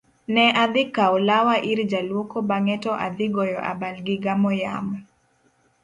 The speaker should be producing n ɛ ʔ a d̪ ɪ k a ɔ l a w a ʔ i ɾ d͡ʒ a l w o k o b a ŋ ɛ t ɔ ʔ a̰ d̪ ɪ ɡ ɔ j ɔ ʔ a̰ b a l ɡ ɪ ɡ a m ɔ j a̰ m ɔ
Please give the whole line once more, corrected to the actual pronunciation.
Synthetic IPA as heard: n ɛ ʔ a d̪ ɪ k a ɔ l a w a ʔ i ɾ d͡ʒ a l w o k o b a ŋ ɛ t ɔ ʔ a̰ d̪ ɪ ɡ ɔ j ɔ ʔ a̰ b a l ɡ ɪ ɡ a m ɔ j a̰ m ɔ

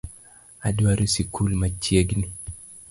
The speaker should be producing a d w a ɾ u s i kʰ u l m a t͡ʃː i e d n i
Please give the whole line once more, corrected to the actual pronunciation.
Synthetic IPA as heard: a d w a ɾ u s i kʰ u l m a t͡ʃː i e ɡ n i

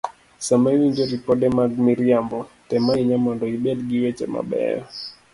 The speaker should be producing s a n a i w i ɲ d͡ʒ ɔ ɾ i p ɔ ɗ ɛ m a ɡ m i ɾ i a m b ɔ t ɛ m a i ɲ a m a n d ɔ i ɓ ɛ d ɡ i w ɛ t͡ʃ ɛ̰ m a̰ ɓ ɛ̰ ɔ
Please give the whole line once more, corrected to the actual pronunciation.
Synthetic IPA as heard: s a m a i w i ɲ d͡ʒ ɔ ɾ i p ɔ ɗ ɛ m a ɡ m i ɾ i a m b ɔ t ɛ m a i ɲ a m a n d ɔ i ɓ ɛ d ɡ i w ɛ t͡ʃ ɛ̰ m a̰ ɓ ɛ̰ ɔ

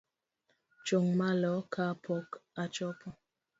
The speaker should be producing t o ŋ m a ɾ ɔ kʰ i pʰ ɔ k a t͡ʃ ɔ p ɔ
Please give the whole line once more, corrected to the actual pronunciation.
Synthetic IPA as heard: t͡ʃ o ŋ m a l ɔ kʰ a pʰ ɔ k a t͡ʃ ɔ p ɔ

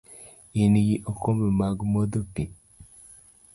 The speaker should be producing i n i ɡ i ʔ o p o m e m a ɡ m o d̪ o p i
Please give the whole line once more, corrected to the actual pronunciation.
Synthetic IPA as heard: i n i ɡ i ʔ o k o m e m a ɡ m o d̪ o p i

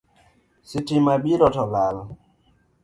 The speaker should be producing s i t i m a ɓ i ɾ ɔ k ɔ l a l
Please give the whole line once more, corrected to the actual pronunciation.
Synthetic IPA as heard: s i t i m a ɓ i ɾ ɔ t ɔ l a l

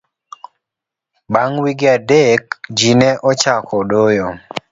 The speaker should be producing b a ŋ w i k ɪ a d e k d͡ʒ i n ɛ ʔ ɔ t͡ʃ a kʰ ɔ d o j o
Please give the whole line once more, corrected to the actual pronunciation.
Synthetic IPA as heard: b a ŋ w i ɡ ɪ a d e k d͡ʒ i n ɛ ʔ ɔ t͡ʃ a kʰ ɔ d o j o

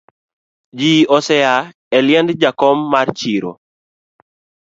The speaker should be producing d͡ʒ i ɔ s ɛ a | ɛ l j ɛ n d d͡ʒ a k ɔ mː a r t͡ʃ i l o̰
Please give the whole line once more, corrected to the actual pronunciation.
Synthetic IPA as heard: d͡ʒ i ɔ s ɛ a | ɛ l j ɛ n d d͡ʒ a k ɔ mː a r t͡ʃ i ɾ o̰

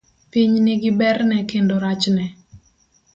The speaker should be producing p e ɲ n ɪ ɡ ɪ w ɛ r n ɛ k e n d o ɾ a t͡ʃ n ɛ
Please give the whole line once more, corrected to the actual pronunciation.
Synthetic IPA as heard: p i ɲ n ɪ ɡ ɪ b ɛ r n ɛ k e n d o ɾ a t͡ʃ n ɛ

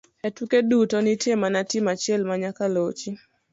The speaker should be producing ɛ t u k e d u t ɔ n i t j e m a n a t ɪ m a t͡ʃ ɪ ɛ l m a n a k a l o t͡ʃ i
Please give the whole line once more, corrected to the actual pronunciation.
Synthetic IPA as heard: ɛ t u k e d u t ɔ n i t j e m a n a t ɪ m a t͡ʃ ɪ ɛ l m a ɲ a k a l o t͡ʃ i

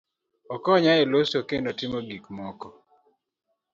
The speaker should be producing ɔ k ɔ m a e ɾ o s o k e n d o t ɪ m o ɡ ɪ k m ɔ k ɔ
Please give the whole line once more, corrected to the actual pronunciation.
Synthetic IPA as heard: ɔ k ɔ ɲ a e l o s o k e n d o t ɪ m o ɡ i k m ɔ k ɔ

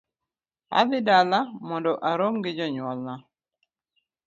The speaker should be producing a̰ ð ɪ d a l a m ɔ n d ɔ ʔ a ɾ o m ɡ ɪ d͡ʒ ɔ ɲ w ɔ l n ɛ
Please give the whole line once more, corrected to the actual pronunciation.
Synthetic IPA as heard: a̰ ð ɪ d a l a m ɔ n d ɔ ʔ a ɾ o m ɡ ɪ d͡ʒ ɔ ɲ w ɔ l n a

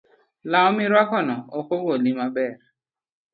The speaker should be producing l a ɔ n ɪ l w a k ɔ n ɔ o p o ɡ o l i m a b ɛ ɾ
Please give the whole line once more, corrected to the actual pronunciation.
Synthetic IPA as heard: l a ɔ m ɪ ɾ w a k ɔ n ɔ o k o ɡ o l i m a b ɛ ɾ

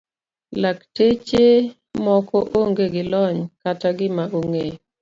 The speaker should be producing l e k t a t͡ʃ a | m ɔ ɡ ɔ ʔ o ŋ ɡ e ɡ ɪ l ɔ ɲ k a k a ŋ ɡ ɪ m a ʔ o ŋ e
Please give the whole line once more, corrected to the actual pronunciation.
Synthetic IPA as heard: l a k t e t͡ʃ e | m ɔ k ɔ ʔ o ŋ ɡ e ɡ ɪ l ɔ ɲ k a t a ɡ ɪ m a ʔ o ŋ e

